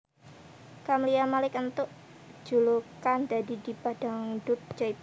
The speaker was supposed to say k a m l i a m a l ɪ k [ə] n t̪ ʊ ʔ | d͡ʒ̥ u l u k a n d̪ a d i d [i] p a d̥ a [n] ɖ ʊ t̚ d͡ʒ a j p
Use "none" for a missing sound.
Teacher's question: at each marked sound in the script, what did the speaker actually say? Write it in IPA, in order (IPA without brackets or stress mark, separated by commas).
ə, i, ŋ